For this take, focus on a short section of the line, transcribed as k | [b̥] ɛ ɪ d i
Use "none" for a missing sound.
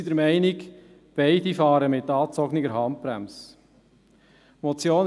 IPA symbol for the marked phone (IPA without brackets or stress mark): b̥